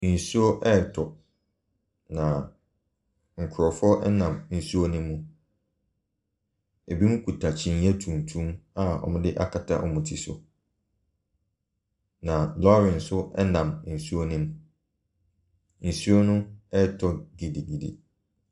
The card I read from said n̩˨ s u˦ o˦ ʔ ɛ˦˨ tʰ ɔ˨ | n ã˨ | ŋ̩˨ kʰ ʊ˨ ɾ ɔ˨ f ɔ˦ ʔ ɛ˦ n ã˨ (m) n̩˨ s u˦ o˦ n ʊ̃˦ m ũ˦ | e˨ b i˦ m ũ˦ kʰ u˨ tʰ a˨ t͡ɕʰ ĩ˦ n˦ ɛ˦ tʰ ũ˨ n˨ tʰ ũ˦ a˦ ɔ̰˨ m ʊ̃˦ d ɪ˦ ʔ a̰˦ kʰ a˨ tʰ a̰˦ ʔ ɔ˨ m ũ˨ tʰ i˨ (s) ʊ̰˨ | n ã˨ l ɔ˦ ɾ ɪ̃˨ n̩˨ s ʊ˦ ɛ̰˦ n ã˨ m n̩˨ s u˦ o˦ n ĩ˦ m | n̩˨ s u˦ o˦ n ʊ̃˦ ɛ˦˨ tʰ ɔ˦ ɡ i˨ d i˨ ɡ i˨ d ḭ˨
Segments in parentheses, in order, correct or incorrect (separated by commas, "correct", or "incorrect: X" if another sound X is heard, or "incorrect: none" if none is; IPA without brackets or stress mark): correct, correct